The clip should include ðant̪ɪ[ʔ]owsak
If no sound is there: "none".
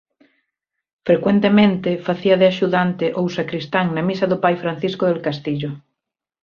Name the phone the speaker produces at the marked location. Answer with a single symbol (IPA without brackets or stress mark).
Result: ʔ